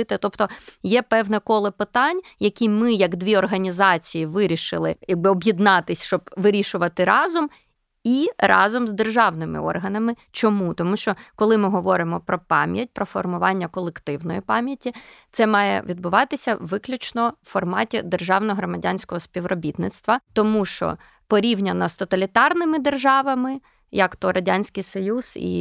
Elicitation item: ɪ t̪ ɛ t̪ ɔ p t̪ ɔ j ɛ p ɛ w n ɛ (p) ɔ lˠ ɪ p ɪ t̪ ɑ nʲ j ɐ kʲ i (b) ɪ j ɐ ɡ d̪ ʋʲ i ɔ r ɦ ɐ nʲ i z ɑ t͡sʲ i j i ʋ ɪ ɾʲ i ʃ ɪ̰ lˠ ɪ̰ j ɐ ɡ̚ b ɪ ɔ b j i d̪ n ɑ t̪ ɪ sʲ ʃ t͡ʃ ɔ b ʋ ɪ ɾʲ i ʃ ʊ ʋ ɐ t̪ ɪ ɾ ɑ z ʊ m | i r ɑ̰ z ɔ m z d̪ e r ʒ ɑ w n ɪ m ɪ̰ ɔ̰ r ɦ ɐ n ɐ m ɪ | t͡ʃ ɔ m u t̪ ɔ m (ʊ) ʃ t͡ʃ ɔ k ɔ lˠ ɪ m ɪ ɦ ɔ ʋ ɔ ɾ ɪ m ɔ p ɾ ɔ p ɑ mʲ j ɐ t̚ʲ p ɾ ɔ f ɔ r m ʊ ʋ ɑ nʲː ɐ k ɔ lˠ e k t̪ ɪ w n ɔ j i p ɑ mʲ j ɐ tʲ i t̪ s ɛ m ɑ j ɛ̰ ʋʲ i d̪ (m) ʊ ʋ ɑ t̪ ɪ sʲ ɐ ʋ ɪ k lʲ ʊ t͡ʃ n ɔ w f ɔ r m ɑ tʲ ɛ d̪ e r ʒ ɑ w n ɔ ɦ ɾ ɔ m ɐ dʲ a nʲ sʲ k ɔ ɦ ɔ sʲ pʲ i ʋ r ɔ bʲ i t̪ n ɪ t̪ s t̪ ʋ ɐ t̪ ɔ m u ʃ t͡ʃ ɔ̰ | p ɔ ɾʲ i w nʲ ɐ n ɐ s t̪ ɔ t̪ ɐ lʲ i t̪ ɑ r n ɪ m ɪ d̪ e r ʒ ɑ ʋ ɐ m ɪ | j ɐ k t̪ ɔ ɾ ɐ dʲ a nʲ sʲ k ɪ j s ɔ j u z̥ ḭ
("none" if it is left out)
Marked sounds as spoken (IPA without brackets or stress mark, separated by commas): k, m, u, b